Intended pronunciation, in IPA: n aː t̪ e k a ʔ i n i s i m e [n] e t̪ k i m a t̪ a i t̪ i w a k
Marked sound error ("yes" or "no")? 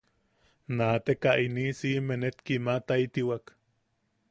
no